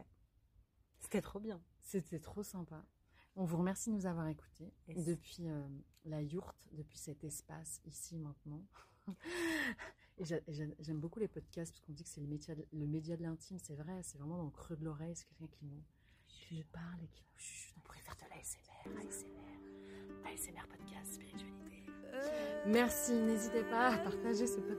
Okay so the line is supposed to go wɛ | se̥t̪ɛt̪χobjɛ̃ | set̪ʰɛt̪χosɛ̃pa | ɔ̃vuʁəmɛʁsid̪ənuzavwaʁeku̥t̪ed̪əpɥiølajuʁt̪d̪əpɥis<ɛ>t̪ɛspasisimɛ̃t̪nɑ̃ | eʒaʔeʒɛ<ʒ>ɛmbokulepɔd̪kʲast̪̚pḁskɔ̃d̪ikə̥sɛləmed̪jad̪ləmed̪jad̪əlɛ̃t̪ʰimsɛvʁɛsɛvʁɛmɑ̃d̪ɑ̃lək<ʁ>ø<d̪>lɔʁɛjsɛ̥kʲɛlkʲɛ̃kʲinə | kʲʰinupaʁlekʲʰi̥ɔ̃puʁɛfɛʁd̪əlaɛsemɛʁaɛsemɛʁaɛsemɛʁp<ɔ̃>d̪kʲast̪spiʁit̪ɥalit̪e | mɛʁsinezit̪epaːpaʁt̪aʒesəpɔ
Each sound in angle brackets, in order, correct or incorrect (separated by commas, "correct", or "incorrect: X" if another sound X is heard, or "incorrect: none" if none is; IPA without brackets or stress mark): correct, correct, incorrect: χ, correct, incorrect: ɔ